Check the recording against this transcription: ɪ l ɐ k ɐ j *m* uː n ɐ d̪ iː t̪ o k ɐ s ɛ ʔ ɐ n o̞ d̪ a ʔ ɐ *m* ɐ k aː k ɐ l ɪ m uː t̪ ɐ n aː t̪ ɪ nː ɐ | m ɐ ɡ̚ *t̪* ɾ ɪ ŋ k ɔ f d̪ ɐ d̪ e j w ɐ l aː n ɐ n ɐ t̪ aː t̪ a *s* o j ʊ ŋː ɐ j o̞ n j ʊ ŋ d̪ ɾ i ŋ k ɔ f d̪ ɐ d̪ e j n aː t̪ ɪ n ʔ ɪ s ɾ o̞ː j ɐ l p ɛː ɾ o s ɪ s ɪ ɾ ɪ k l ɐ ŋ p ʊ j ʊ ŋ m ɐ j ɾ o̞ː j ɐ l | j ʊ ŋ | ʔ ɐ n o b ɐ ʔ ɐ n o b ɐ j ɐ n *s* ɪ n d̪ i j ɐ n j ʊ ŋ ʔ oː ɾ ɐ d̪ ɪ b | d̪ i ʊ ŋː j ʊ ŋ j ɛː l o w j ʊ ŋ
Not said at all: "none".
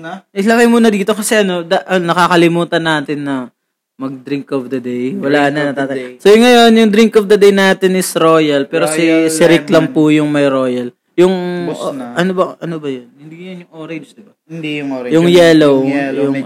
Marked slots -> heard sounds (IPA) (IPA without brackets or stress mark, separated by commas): m, n, d̪, s, h